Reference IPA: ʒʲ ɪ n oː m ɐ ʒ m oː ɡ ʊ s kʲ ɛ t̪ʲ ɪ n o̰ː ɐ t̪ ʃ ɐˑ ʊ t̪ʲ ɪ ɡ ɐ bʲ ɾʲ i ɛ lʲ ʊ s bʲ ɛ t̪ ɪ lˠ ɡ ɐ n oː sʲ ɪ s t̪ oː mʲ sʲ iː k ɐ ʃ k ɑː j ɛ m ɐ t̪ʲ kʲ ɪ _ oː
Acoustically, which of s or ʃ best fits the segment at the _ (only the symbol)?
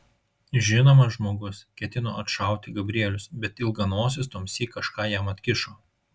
ʃ